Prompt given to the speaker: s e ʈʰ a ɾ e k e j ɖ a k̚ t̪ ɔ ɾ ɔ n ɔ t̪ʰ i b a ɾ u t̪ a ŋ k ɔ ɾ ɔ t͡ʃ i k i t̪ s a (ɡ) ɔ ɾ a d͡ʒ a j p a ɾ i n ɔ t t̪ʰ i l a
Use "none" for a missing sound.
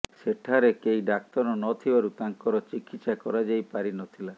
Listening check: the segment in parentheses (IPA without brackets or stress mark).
k